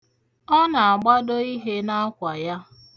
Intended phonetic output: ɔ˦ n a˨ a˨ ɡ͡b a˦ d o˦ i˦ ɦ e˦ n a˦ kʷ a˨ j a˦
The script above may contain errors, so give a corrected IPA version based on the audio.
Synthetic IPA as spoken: ɔ˦ n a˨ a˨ ɡ͡b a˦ d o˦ i˦ ɦ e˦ n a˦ kʷ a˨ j a˦